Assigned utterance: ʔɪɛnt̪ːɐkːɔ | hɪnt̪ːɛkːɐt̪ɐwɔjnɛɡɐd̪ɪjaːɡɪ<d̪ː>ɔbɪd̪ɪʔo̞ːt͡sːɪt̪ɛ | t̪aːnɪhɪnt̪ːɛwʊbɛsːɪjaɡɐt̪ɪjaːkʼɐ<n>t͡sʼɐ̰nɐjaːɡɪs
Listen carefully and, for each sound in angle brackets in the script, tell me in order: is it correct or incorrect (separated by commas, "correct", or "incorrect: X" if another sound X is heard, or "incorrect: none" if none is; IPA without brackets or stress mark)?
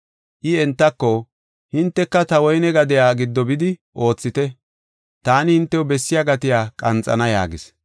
correct, correct